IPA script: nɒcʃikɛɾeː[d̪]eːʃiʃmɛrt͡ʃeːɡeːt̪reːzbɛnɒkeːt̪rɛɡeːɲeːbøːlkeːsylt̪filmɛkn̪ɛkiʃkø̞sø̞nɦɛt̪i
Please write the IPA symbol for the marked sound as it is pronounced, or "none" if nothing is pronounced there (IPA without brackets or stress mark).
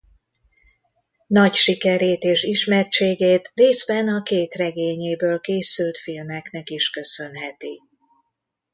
t̪